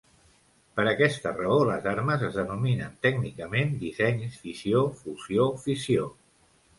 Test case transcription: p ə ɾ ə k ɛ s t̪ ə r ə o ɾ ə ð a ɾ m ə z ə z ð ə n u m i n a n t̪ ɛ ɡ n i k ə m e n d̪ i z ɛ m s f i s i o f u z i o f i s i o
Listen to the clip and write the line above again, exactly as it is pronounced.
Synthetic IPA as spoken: p ə ɾ ə k ɛ s t̪ ə r ə o l ə z a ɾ m ə z ə z ð ə n u m i n ə n t̪ ɛ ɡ n i k ə m e n d̪ i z ɛ ɲ s f i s i o f u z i o f i s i o